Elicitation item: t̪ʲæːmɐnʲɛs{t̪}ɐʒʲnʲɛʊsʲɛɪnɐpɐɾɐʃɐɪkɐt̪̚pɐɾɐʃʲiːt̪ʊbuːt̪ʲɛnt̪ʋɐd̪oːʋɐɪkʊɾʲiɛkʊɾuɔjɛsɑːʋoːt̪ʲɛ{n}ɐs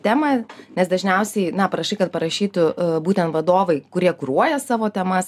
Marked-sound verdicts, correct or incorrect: incorrect: d̪, incorrect: m

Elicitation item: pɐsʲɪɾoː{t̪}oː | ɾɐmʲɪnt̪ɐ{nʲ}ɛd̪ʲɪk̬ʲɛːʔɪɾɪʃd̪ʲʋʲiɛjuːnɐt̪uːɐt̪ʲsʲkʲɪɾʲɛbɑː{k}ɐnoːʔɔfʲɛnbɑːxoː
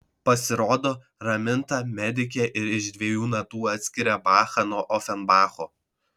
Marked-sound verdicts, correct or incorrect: incorrect: d̪, incorrect: mʲ, incorrect: x

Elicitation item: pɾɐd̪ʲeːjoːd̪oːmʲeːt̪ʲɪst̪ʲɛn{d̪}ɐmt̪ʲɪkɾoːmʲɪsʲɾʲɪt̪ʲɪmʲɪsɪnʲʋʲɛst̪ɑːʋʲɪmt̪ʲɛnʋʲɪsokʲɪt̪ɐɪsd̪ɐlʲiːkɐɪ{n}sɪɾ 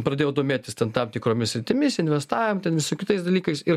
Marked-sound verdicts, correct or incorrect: incorrect: t̪, incorrect: none

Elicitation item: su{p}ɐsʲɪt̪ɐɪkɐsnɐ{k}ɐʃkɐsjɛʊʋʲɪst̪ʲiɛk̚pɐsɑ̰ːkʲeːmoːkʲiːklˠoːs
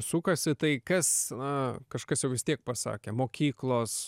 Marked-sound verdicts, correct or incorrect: incorrect: k, correct

